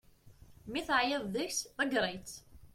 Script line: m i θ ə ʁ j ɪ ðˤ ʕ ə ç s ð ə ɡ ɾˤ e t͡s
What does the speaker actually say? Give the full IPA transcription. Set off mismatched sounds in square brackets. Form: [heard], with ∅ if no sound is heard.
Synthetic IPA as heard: m i θ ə [ʕ] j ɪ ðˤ [ð] ə ç s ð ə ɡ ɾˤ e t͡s

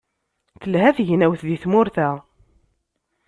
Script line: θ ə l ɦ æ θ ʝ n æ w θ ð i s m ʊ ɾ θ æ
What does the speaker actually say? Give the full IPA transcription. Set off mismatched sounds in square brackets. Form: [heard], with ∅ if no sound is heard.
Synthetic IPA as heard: θ ə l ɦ æ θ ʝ n æ w θ ð i [θ] m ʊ ɾ θ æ

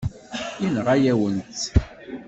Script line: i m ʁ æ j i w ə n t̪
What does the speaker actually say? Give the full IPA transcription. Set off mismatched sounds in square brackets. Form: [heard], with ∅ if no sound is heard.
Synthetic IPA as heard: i [n] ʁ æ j [æ] w ə n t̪

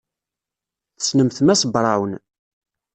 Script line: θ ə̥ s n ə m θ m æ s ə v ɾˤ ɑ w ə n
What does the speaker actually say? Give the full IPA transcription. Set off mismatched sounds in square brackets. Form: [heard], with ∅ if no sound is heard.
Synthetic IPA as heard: θ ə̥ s n ə m θ m æ s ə [b] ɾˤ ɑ w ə n

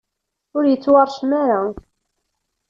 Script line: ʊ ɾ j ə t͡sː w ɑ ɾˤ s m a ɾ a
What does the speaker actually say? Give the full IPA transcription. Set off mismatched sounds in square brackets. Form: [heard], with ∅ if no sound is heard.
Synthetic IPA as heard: ʊ ɾ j ə t͡sː w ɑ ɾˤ [ʃ] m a ɾ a

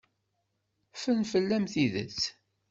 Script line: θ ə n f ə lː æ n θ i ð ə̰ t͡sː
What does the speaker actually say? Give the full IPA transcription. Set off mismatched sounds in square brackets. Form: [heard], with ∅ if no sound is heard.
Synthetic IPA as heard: [f] ə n f ə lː æ [m] θ i ð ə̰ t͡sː

